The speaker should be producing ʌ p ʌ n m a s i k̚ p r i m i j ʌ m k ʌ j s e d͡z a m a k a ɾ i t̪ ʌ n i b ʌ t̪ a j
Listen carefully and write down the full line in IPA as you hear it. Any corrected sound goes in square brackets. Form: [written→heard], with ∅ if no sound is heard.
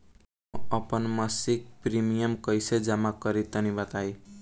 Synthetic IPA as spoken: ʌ p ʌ n m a s i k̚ p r i m i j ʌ m k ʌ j s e d͡z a m a k [a→ʌ] ɾ i t̪ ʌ n i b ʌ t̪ a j